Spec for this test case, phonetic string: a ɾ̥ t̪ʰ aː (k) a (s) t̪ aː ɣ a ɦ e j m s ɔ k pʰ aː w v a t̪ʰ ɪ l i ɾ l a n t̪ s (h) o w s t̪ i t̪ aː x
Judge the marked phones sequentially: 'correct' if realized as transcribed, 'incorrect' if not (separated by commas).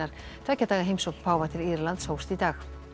incorrect, incorrect, correct